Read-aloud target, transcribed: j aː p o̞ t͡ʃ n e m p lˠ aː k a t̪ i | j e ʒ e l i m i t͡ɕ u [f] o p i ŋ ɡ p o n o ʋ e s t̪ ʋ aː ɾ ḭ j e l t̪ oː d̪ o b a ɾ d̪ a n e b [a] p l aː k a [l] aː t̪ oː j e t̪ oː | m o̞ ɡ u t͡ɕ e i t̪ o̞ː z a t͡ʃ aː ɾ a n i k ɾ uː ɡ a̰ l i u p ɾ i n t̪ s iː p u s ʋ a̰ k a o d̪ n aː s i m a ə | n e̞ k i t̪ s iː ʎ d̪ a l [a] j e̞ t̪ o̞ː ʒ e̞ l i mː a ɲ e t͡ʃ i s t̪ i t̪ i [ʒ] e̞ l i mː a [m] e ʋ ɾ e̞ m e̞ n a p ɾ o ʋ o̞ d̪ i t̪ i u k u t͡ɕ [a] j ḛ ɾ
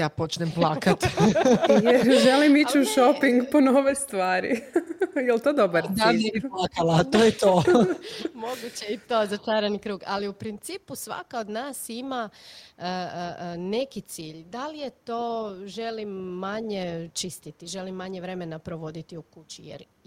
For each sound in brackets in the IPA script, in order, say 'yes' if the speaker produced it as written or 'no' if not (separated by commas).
no, no, yes, no, yes, no, no